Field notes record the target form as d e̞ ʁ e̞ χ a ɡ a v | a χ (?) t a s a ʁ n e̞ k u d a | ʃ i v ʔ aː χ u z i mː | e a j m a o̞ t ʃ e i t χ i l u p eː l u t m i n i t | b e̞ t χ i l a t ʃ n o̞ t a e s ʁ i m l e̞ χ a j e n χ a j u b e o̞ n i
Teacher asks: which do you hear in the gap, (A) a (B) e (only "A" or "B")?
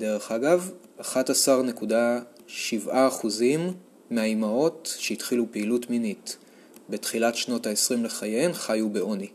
A